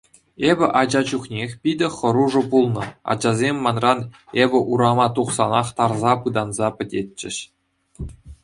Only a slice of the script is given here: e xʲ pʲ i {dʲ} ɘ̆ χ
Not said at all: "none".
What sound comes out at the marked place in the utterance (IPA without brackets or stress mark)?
dʲ